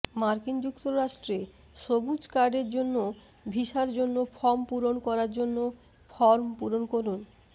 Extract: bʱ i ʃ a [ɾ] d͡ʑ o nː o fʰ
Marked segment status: correct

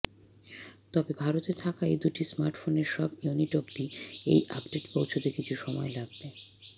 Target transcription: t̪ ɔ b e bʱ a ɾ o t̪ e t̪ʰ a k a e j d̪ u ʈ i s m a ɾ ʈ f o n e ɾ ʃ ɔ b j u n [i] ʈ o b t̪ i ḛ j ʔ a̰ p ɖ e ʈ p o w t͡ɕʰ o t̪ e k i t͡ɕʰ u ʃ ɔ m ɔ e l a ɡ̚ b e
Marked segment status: correct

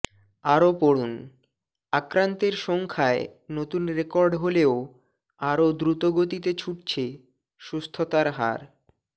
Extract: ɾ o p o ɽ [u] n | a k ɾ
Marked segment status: correct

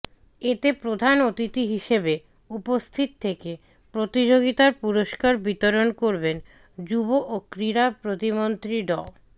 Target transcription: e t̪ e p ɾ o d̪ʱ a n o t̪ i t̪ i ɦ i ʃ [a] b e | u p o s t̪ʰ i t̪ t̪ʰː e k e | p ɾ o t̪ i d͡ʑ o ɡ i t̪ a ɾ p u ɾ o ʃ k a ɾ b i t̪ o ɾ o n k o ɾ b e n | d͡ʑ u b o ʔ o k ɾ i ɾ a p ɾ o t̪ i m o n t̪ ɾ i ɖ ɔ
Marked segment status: incorrect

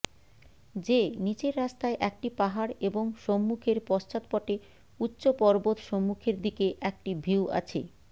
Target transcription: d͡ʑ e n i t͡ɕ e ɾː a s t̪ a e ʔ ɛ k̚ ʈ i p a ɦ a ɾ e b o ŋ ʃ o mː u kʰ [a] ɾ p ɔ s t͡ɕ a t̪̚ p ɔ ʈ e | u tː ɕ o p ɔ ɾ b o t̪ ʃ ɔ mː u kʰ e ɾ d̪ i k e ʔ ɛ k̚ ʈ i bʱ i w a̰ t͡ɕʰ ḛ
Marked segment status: incorrect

